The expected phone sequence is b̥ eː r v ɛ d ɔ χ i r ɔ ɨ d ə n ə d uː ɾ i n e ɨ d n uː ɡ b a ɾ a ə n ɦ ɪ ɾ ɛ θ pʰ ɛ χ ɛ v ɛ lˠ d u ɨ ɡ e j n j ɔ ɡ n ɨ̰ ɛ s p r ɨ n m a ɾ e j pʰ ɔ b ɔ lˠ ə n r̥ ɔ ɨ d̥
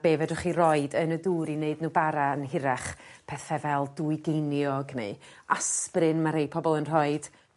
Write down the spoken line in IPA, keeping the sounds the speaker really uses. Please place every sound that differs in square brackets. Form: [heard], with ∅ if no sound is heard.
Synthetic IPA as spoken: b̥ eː [∅] v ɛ d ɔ χ i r ɔ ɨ d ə n ə d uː ɾ i n e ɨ d n uː [∅] b a ɾ a ə n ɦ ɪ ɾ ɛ [χ] pʰ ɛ [θ] ɛ v ɛ lˠ d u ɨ ɡ e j n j ɔ ɡ n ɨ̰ [a] s p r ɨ n m a ɾ e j pʰ ɔ b ɔ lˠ ə n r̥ ɔ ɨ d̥